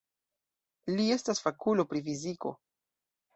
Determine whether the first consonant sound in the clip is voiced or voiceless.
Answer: voiced